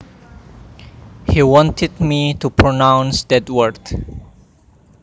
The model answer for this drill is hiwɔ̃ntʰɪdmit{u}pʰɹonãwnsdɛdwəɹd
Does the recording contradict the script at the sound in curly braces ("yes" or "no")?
no